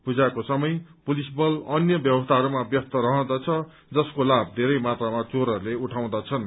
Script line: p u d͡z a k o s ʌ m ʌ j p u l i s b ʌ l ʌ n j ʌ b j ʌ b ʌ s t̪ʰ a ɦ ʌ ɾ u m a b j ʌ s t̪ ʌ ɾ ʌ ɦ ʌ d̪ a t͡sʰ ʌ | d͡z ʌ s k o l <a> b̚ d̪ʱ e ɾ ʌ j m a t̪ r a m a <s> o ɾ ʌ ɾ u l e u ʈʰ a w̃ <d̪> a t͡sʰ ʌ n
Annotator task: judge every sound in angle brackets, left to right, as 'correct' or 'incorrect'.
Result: correct, incorrect: t͡s, correct

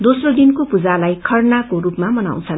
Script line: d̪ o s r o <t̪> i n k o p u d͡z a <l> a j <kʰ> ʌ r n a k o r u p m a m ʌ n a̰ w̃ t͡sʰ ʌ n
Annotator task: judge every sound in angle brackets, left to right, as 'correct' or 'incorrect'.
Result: incorrect: d̪, correct, correct

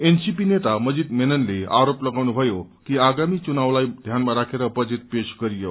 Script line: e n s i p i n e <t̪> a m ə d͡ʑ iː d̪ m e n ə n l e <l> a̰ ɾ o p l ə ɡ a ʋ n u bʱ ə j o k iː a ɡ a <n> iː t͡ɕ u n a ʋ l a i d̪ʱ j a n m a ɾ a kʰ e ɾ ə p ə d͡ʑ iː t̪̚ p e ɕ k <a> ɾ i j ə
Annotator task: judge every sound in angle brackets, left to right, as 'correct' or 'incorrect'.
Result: correct, incorrect: none, incorrect: m, incorrect: ə

